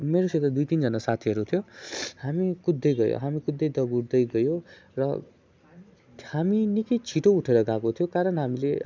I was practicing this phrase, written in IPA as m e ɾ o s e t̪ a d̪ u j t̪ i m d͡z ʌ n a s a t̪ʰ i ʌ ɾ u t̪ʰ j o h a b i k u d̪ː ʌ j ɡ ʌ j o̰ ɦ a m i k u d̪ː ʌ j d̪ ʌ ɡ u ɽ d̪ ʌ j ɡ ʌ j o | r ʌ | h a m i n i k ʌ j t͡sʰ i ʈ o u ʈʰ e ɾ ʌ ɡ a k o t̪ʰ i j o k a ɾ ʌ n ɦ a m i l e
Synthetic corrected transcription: m e ɾ o s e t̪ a d̪ u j t̪ i n d͡z ʌ n a s a t̪ʰ i ʌ ɾ u t̪ʰ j o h a m i k u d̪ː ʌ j ɡ ʌ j o̰ ɦ a m i k u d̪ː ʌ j d̪ ʌ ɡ u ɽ d̪ ʌ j ɡ ʌ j o | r ʌ | h a m i n i k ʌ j t͡sʰ i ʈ o u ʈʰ e ɾ ʌ ɡ a k o t̪ʰ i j o k a ɾ ʌ n ɦ a m i l e